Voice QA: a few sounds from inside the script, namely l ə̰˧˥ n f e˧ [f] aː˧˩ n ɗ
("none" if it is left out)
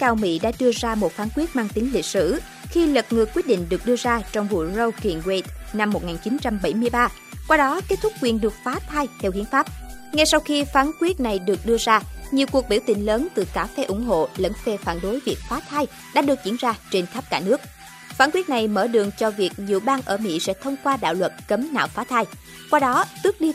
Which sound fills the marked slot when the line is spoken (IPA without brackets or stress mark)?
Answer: f